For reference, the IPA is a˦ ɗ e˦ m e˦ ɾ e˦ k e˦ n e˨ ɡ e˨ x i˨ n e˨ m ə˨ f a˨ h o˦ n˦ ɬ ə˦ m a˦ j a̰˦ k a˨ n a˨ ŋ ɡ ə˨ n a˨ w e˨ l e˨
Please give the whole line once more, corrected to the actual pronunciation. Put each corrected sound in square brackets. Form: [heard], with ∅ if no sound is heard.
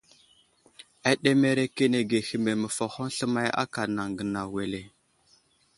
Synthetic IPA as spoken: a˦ ɗ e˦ m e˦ ɾ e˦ k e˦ n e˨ ɡ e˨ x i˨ [m] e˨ m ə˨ f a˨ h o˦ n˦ ɬ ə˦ m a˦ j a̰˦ k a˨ n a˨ ŋ ɡ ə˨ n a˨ w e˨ l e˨